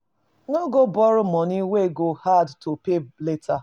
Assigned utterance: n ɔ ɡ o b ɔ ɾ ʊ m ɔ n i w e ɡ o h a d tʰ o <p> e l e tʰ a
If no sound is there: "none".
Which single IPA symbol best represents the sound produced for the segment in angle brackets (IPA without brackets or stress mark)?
p